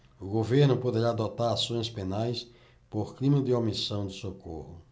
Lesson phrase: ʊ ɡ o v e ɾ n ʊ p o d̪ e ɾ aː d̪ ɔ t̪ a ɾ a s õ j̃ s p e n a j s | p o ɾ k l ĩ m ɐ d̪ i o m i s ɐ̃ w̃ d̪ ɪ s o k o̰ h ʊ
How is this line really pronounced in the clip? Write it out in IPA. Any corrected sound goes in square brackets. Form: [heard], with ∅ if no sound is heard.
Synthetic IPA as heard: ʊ ɡ o v e ɾ n ʊ p o d̪ e ɾ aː d̪ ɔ t̪ a ɾ a s õ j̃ s p e n a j s | p o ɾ k l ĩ m ɐ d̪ [ɪ] o m i s ɐ̃ w̃ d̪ ɪ s o k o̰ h ʊ